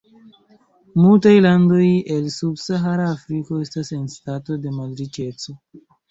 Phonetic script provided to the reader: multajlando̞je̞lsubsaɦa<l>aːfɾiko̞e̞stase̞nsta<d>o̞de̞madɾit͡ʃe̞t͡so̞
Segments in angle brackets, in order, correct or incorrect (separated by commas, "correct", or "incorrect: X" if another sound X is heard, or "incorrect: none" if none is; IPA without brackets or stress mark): incorrect: ɾ, incorrect: t